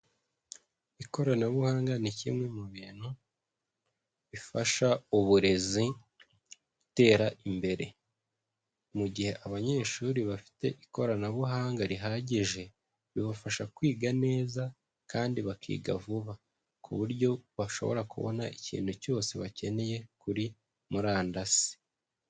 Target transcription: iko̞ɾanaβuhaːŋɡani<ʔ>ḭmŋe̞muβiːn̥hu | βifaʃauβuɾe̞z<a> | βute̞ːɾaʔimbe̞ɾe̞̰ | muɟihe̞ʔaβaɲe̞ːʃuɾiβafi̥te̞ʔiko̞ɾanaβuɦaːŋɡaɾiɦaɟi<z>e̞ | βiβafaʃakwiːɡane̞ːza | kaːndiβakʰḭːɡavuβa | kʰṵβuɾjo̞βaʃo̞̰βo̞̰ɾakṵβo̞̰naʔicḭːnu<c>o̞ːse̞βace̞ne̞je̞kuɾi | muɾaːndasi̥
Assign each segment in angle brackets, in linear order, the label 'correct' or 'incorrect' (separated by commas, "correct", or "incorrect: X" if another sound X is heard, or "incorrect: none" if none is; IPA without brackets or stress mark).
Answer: incorrect: c, incorrect: i, incorrect: ʒ, correct